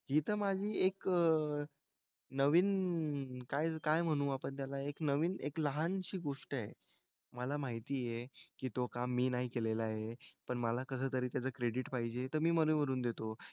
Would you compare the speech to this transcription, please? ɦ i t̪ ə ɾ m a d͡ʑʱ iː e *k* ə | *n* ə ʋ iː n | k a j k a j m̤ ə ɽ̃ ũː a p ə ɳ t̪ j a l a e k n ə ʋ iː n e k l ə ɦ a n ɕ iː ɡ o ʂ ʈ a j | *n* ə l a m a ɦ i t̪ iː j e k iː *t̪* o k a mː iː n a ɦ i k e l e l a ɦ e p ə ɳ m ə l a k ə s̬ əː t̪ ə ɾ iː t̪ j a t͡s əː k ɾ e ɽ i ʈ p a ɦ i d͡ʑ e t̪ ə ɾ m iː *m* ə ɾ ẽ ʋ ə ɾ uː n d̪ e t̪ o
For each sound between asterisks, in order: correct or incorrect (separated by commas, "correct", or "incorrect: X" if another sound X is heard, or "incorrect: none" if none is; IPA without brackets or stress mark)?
correct, correct, incorrect: m, correct, correct